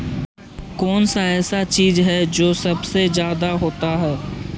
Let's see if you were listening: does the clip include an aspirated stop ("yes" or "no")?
no